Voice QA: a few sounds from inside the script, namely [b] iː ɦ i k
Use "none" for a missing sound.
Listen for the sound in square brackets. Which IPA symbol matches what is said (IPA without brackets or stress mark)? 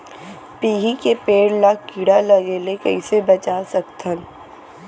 p